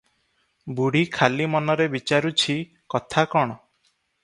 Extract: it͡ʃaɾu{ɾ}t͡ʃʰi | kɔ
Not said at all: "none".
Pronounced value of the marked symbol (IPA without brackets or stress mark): none